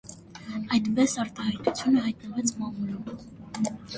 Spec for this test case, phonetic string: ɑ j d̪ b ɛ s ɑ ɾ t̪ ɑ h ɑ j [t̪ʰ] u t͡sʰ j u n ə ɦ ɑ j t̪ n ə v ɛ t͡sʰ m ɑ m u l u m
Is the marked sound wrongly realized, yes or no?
yes